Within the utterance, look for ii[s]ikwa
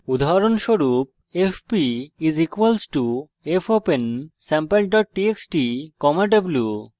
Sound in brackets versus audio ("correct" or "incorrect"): incorrect